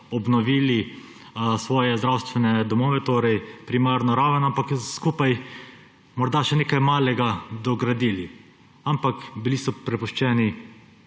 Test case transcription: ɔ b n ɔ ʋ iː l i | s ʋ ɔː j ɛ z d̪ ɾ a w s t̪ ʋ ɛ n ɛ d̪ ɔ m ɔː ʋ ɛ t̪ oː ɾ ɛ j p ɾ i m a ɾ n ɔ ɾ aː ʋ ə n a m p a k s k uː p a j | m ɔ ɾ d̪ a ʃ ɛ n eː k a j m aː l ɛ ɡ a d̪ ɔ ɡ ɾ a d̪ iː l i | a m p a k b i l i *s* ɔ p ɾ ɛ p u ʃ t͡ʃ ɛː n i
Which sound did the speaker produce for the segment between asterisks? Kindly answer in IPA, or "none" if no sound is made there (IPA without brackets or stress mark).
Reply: s